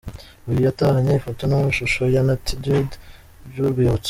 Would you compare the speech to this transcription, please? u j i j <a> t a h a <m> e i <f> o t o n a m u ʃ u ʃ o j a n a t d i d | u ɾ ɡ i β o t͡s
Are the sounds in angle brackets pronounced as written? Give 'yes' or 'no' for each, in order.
yes, no, yes

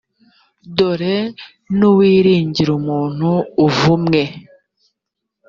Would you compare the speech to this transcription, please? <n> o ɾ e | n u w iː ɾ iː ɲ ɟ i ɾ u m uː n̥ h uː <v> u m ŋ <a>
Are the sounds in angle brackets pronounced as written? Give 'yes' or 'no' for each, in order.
no, yes, no

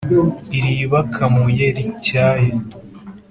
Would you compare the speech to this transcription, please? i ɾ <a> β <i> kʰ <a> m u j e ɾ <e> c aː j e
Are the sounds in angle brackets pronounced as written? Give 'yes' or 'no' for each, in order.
no, no, yes, no

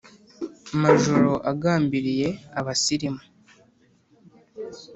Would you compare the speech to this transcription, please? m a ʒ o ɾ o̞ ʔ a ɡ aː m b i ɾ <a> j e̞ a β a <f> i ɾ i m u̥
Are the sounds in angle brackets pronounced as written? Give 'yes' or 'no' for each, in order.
no, no

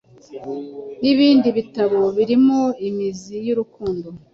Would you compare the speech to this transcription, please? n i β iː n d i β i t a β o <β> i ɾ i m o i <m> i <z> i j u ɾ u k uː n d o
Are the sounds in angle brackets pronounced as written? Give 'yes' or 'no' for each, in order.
yes, yes, yes

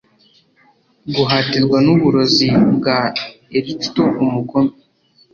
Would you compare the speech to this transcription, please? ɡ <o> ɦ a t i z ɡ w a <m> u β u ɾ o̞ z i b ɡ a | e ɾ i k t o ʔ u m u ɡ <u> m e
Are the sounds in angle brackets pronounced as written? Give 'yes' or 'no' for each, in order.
no, no, no

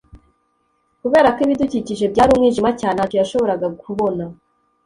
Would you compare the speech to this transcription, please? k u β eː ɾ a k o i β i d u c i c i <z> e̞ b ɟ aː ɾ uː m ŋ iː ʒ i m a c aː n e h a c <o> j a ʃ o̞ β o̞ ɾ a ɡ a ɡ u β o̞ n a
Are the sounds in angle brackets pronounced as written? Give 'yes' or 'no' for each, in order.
no, yes

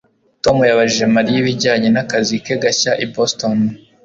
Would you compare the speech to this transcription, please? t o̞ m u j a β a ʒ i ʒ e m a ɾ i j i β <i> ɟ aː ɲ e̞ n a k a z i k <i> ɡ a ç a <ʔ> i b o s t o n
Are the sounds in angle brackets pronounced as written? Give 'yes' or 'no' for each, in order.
yes, no, yes

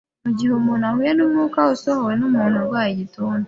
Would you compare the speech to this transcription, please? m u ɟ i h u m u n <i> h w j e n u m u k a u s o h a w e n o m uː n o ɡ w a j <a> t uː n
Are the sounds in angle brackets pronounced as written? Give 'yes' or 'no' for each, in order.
no, no

